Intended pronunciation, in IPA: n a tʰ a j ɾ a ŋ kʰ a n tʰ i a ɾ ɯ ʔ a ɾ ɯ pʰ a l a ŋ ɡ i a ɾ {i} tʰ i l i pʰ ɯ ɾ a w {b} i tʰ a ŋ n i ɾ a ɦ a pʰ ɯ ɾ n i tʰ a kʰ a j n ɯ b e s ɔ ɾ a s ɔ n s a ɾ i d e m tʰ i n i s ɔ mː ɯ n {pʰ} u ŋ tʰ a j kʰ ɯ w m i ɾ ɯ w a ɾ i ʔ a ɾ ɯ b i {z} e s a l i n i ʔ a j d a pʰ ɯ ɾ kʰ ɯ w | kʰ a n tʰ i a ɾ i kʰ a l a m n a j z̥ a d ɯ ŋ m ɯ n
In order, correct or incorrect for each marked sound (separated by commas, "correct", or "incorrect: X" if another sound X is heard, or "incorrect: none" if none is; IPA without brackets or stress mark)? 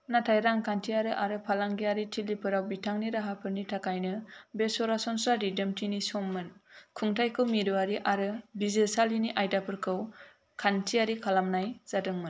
correct, correct, incorrect: kʰ, correct